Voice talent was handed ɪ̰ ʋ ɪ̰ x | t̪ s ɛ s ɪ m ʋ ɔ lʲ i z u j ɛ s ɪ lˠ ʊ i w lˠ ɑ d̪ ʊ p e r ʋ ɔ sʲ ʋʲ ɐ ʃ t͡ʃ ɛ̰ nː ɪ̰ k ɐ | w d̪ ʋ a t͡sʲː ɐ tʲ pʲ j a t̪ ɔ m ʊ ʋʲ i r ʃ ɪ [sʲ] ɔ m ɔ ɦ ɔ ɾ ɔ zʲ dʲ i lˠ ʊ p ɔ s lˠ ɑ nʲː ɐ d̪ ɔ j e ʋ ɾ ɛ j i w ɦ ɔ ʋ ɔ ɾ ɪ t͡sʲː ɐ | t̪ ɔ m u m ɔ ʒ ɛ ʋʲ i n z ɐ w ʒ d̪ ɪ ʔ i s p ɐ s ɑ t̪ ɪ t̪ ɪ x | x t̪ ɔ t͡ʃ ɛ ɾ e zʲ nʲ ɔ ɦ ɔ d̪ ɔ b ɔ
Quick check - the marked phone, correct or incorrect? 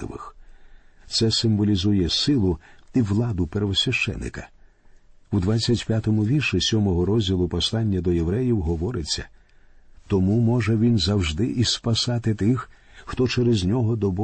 correct